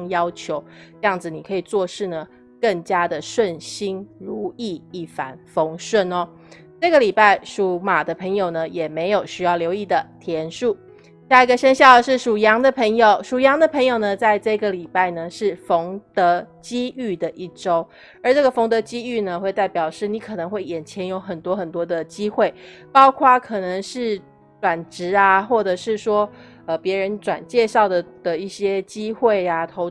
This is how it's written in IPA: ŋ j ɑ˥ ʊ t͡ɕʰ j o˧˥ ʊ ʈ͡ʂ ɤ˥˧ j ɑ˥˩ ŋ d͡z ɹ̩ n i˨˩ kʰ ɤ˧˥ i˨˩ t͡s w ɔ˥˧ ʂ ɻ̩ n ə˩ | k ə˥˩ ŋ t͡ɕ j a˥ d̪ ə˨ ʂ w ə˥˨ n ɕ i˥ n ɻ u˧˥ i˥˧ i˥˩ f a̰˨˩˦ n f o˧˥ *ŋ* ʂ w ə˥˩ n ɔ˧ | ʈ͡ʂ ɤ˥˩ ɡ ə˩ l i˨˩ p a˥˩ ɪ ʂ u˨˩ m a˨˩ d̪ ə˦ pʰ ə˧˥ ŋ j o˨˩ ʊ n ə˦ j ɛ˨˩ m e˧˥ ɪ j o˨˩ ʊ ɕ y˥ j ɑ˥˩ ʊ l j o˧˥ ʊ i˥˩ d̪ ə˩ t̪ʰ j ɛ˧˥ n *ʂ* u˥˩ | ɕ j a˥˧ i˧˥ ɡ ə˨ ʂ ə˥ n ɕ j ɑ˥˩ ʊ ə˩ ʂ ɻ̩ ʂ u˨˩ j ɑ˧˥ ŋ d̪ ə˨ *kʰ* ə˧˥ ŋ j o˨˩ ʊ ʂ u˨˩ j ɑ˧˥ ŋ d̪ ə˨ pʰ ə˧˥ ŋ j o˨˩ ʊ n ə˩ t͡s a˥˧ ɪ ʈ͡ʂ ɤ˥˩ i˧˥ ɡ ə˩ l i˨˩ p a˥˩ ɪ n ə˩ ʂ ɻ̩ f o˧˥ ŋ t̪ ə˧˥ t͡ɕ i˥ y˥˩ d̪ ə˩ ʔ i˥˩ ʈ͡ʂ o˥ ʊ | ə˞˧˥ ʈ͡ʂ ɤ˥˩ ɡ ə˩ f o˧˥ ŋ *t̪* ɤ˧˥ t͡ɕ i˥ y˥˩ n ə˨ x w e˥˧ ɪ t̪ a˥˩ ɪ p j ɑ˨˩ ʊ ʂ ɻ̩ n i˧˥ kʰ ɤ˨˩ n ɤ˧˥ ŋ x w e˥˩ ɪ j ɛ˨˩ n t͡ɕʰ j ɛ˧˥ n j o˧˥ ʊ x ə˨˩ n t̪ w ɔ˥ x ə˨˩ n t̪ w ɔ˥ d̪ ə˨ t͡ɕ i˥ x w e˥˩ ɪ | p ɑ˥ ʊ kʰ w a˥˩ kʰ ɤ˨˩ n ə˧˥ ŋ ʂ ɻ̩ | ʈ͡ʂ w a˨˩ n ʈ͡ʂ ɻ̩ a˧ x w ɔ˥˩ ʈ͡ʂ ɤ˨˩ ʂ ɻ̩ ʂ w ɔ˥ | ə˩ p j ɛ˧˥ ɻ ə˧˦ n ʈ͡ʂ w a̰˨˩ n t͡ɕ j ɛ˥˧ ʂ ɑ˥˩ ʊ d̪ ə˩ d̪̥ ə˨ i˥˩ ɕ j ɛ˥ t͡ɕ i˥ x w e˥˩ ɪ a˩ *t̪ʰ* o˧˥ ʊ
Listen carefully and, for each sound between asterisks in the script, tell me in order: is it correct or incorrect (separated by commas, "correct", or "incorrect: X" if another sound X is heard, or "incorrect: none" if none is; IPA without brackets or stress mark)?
correct, correct, incorrect: pʰ, correct, correct